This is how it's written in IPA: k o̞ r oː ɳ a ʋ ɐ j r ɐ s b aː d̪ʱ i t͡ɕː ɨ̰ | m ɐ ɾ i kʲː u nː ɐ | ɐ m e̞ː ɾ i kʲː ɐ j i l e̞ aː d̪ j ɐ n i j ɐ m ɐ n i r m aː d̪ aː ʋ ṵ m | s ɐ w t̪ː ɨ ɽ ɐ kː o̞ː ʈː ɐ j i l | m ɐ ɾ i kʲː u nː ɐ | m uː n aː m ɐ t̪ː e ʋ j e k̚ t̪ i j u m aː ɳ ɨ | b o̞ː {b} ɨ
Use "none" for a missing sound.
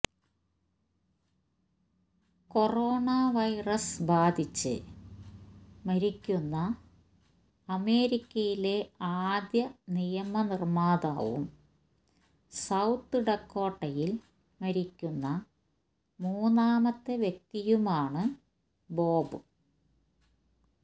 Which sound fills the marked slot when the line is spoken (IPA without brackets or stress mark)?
b